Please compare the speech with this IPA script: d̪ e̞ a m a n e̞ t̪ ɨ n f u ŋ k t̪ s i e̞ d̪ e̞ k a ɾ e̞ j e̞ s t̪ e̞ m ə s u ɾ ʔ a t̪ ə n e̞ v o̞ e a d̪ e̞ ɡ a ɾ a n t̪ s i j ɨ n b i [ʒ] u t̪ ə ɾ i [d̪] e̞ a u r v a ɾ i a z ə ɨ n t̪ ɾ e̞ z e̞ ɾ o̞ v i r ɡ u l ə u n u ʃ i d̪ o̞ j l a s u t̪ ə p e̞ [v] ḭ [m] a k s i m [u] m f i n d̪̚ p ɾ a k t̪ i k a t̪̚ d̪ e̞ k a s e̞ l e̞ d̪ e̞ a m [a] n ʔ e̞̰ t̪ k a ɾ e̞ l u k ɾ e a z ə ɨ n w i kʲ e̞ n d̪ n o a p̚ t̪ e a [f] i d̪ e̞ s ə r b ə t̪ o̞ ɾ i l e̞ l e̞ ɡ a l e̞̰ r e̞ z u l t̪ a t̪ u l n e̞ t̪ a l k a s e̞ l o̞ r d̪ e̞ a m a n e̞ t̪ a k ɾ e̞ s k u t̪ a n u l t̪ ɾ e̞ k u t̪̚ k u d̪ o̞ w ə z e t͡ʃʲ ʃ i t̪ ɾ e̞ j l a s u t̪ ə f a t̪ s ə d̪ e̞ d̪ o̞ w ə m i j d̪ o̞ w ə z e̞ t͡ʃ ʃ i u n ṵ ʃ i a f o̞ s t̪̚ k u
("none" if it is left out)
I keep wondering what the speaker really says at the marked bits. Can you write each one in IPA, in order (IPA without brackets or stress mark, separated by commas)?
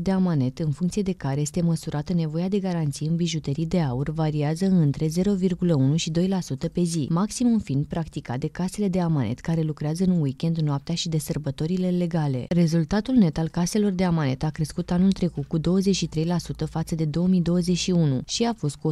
ʒ, d̪, z, m, u, a, ʃ